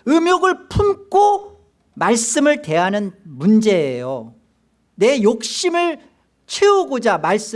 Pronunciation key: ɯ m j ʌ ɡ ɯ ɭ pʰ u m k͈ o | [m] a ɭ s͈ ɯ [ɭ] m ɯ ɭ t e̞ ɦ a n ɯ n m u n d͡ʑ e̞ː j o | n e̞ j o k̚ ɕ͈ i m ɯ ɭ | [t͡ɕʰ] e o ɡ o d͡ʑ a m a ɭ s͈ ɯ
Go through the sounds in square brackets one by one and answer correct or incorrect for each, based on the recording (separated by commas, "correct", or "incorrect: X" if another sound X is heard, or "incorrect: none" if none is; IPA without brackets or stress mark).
correct, incorrect: none, correct